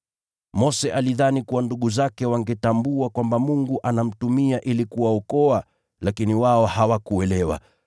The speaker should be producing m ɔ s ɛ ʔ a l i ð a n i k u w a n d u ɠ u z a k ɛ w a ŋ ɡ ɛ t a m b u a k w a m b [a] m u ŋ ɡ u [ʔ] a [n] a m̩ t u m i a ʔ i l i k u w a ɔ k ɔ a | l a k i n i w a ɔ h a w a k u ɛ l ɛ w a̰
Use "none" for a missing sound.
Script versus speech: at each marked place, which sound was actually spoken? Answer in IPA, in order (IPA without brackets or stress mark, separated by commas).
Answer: a, ʔ, n